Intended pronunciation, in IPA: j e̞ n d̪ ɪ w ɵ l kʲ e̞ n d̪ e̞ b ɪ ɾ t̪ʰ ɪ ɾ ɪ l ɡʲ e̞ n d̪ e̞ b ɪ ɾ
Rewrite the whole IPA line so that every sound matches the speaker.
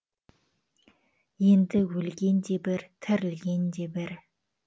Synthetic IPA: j e̞ n d̪ ɪ w ɵ l ɡʲ e̞ n d̪ e̞ b ɪ ɾ t̪ʰ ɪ ɾ ɪ l ɡʲ e̞ n d̪ e̞ b ɪ ɾ